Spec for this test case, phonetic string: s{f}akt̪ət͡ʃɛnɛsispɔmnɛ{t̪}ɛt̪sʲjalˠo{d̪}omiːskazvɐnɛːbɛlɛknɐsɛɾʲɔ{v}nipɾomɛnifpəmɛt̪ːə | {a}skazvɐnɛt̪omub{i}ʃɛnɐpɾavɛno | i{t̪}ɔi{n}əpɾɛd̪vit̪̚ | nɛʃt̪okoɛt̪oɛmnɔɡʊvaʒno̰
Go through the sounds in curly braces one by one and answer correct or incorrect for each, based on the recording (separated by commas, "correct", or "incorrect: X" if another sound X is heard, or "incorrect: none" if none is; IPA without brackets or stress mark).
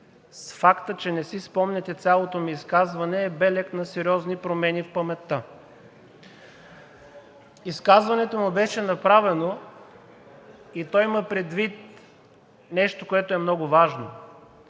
correct, correct, incorrect: t̪, incorrect: z, incorrect: i, incorrect: ɛ, correct, incorrect: m